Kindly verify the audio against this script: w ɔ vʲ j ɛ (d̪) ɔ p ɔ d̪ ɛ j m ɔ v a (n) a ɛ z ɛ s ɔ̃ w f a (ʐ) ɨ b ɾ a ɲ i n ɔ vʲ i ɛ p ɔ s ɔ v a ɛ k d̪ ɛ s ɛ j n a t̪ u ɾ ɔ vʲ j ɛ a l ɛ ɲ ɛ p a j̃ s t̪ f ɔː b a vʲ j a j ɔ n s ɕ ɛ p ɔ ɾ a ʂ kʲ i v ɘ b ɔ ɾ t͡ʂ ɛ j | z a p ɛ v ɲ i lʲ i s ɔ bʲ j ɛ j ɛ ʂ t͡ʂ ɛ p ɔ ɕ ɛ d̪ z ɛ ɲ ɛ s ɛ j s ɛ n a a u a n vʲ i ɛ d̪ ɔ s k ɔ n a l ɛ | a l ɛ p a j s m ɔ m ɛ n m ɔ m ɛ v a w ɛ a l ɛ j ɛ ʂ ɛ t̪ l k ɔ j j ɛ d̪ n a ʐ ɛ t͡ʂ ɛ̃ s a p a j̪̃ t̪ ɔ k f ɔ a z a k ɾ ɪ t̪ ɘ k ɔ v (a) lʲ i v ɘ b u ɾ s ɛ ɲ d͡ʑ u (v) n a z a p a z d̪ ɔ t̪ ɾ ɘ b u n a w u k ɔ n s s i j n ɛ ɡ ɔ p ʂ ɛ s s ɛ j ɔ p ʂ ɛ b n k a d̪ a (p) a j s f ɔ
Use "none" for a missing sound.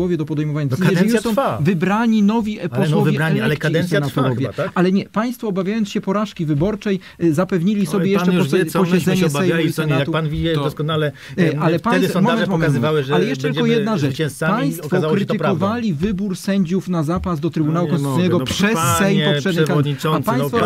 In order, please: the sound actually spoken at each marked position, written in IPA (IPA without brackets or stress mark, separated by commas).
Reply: d̪, ɲ, v, a, f, p